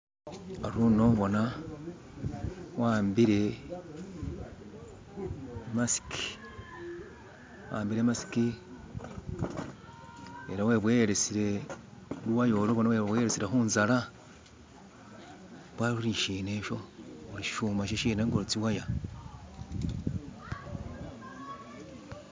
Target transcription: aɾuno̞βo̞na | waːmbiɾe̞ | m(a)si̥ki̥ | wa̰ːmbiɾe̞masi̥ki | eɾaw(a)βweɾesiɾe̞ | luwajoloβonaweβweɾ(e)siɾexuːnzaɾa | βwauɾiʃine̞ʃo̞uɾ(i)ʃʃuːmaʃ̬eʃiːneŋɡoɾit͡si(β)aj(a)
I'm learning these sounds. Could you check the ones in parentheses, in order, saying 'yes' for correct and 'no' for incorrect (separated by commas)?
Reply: yes, no, yes, yes, no, yes